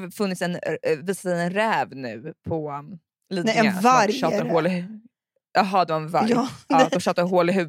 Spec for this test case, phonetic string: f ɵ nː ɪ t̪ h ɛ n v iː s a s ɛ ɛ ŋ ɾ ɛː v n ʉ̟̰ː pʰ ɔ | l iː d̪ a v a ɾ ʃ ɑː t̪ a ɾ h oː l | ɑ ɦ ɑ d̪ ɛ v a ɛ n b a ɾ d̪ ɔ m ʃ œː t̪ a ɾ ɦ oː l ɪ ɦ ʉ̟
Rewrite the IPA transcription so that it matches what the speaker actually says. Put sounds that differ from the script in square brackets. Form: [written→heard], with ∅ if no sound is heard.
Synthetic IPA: f ɵ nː ɪ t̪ [h→s] ɛ n v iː s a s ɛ ɛ [ŋ→n] ɾ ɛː v n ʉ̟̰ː pʰ ɔ | l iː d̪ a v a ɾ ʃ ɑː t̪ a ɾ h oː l | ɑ ɦ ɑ d̪ ɛ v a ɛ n [b→v] a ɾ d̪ ɔ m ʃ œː t̪ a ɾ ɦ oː l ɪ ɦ ʉ̟